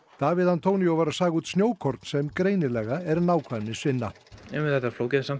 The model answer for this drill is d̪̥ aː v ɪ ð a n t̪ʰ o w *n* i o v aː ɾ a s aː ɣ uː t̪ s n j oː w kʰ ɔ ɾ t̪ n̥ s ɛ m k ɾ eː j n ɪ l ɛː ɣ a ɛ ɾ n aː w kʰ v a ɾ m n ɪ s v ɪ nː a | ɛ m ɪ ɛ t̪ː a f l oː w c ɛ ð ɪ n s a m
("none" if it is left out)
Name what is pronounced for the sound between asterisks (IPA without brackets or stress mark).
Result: n